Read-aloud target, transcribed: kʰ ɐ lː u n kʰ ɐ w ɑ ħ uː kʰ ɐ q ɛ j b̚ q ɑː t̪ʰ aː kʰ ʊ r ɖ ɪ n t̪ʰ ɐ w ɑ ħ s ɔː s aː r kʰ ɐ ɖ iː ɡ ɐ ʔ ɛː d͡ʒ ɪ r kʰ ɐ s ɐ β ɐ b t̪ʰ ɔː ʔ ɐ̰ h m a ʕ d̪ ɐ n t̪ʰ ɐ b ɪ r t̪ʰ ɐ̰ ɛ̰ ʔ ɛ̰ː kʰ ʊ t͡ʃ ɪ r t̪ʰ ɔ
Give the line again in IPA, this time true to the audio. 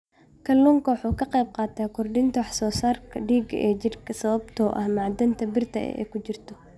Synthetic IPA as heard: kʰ ɐ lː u ŋ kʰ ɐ w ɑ ħ uː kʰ ɐ q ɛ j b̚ q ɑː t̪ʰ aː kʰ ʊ r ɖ ɪ n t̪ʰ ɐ w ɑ ħ s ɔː s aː r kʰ ɐ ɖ iː ɡ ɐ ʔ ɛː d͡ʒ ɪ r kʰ ɐ s ɐ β ɐ b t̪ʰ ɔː ʔ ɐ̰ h m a ʕ d̪ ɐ n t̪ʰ ɐ b ɪ r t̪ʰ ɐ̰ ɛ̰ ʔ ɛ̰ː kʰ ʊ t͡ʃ ɪ r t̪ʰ ɔ

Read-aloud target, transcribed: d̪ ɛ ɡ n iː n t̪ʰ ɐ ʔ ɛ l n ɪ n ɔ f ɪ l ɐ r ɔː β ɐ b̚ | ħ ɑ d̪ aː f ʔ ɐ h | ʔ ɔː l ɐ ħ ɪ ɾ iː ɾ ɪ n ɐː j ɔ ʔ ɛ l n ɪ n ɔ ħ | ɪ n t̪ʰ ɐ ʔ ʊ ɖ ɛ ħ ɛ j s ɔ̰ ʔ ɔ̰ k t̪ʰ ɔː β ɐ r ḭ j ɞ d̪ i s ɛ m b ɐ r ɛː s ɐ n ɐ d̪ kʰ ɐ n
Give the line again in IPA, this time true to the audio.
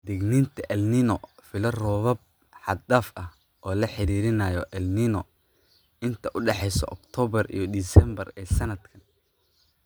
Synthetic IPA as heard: d̪ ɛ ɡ n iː n t̪ʰ ɐ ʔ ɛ l n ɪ n ɔ f ɪ l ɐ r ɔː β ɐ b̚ | ħ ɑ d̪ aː f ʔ ɐ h | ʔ ɔː l ɐ ħ ɪ ɾ iː ɾ ɪ n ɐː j ɔ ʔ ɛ l n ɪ n ɔ | ɪ n t̪ʰ ɐ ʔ ʊ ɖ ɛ ħ ɛ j s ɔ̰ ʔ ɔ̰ k t̪ʰ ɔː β ɐ r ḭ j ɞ d̪ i s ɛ m b ɐ r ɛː s ɐ n ɐ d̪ kʰ ɐ n

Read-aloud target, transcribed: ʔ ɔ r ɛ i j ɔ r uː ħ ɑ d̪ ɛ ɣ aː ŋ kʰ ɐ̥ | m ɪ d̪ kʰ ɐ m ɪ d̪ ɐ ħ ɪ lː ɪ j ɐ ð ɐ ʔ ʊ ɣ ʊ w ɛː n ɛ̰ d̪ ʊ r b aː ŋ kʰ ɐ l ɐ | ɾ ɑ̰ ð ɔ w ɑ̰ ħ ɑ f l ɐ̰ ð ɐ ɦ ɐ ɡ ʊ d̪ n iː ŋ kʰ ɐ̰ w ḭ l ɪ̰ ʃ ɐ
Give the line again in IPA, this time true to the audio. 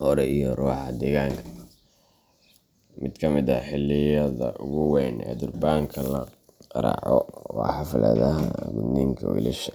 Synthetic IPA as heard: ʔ ɔ ɾ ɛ i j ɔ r uː ħ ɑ d̪ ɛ ɣ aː ŋ kʰ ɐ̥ | m ɪ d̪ kʰ ɐ m ɪ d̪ ɐ ħ ɪ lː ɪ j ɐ ð ɐ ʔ ʊ ɣ ʊ w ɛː n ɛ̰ d̪ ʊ r b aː ŋ kʰ ɐ l ɐ | ɾ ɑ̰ ʕ ɔ w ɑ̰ ħ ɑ f l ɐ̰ ð ɐ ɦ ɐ ɡ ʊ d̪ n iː ŋ kʰ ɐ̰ w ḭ l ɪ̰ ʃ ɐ

